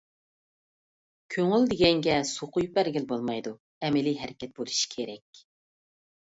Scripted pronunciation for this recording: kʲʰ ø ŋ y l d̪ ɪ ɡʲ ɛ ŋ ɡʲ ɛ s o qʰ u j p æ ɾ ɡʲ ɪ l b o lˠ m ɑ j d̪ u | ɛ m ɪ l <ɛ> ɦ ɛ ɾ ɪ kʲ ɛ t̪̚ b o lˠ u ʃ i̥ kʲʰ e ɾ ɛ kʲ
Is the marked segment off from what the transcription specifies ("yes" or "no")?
yes